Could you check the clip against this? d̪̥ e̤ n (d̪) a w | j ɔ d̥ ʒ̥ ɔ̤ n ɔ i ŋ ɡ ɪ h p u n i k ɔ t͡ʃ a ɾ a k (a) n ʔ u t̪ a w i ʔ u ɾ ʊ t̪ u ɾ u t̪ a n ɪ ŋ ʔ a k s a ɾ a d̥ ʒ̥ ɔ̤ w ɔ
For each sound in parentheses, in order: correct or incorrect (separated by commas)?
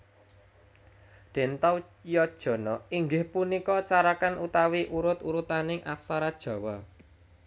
incorrect, correct